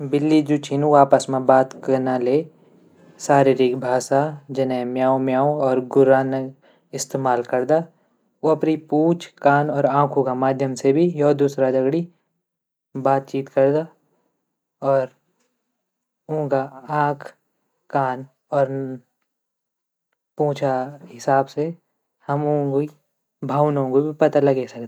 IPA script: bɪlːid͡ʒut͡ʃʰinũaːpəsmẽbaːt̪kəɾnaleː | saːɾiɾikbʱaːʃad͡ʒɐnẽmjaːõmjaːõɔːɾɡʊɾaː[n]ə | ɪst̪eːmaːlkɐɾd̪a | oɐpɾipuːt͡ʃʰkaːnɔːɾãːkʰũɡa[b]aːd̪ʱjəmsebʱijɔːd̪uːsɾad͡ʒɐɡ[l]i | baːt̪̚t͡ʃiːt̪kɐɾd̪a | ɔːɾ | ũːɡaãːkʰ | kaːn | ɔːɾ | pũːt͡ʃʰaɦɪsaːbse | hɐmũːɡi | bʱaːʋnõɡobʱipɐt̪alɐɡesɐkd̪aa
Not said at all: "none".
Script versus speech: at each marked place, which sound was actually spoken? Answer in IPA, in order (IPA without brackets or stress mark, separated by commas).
n, m, ɽ